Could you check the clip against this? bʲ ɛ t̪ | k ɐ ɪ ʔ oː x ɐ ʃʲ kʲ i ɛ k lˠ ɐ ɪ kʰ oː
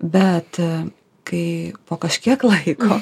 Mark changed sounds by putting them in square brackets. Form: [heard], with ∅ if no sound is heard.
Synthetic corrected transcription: bʲ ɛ t̪ | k ɐ ɪ [p] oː [k] ɐ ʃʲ kʲ i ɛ k lˠ ɐ ɪ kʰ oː

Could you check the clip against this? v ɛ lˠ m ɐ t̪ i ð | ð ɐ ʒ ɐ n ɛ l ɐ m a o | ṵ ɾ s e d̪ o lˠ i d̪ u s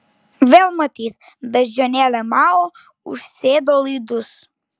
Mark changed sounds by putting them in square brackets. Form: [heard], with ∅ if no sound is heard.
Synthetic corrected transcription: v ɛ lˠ m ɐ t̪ i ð | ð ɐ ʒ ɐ n ɛ l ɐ m a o | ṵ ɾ s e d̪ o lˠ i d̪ u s

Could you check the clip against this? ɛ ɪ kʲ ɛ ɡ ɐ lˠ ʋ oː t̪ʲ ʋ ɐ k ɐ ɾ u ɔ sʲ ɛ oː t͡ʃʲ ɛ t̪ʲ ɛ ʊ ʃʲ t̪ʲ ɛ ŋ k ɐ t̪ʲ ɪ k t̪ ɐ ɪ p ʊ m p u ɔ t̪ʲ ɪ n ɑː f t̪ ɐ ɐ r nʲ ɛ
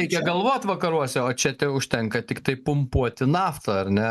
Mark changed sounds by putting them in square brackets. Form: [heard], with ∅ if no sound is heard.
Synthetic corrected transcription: ɛ ɪ kʲ ɛ ɡ ɐ lˠ ʋ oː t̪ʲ ʋ ɐ k ɐ ɾ u ɔ sʲ ɛ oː t͡ʃʲ ɛ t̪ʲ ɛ ʊ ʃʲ t̪ʲ ɛ ŋ k ɐ t̪ʲ ɪ k t̪ ɐ ɪ p ʊ m p u ɔ t̪ʲ ɪ n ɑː f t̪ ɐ ɐ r nʲ ɛ

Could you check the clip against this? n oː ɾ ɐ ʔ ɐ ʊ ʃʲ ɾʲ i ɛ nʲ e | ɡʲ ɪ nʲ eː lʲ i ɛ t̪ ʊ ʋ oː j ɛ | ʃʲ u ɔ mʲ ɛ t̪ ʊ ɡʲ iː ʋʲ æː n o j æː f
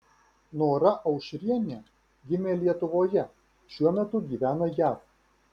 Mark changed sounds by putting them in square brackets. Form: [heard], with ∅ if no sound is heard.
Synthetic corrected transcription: n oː ɾ ɐ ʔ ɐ ʊ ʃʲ ɾʲ i ɛ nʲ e | ɡʲ ɪ [mʲ] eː lʲ i ɛ t̪ ʊ ʋ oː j ɛ | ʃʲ u ɔ mʲ ɛ t̪ ʊ ɡʲ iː ʋʲ æː n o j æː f

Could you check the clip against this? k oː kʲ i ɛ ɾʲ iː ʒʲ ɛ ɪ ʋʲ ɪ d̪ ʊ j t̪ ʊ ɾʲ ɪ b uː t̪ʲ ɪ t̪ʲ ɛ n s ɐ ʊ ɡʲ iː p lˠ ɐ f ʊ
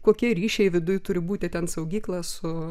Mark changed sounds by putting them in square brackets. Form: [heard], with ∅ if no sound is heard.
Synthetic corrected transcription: k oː kʲ i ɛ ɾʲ iː [ʃʲ] ɛ ɪ ʋʲ ɪ d̪ ʊ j t̪ ʊ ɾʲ ɪ b uː t̪ʲ ɪ t̪ʲ ɛ n s ɐ ʊ ɡʲ iː [k] lˠ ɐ [s] ʊ

